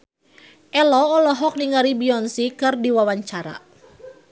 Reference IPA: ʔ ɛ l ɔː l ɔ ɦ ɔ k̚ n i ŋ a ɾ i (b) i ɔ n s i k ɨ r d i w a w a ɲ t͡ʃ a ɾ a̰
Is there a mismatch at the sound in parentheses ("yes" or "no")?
no